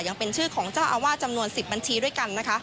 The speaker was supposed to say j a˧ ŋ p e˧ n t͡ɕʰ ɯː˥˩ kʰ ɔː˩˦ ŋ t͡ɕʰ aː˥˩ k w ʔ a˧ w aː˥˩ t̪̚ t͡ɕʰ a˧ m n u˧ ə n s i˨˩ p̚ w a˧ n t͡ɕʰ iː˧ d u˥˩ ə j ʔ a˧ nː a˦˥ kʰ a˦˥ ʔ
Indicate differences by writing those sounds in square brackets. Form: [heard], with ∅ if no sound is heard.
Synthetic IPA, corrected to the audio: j a˧ ŋ p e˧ n t͡ɕʰ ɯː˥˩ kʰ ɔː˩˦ ŋ [t͡ɕ] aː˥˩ [∅] w ʔ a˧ w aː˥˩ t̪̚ [t͡ɕ] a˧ m n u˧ ə n s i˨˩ p̚ [b] a˧ n t͡ɕʰ iː˧ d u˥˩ ə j [k] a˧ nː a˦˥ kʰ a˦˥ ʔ